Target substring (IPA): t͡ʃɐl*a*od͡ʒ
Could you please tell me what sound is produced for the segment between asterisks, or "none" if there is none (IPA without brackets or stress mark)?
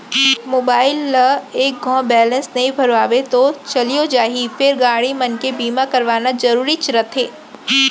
i